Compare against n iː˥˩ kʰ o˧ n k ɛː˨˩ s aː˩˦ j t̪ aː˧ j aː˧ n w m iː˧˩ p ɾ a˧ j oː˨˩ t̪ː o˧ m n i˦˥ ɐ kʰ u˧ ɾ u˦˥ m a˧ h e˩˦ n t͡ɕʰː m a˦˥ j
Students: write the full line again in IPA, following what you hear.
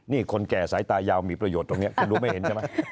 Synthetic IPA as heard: n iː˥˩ kʰ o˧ n k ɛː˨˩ s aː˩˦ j t̪ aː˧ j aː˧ w m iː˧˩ p ɾ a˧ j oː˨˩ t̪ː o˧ ŋ n i˦˥ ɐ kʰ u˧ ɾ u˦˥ m a˥˩ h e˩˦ n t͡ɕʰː m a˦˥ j